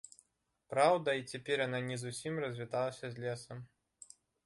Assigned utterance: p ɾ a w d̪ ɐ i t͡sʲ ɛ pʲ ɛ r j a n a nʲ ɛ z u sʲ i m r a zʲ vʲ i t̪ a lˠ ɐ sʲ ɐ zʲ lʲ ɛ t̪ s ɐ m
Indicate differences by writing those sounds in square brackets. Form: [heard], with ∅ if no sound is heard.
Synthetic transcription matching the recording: p ɾ a w d̪ ɐ i t͡sʲ ɛ pʲ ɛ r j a n a nʲ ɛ z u sʲ i m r [ɐ] zʲ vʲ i t̪ a lˠ ɐ sʲ ɐ zʲ lʲ ɛ [∅] s ɐ m